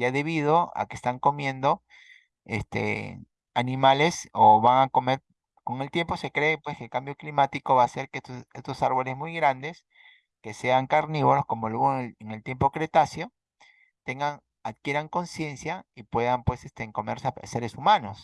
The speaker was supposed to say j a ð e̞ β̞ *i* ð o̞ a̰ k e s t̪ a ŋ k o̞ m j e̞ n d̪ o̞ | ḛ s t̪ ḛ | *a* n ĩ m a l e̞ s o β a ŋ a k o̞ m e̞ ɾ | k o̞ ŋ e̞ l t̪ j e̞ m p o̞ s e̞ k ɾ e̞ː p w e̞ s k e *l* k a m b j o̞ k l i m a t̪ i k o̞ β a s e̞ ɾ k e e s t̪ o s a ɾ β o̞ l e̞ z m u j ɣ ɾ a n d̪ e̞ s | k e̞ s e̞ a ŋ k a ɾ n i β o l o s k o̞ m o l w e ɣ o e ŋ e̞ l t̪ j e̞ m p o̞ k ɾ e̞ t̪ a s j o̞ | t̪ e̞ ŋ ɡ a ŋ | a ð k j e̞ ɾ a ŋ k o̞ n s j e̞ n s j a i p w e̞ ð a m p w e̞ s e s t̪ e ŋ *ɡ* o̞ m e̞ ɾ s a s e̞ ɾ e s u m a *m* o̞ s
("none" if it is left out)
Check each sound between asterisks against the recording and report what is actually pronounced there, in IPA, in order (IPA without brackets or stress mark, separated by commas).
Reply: i, a, l, k, n